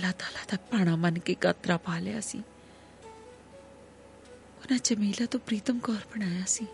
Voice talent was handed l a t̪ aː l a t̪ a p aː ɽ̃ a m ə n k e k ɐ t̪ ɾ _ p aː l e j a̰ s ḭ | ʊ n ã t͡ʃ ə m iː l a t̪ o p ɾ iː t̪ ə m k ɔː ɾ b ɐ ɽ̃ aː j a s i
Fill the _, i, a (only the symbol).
a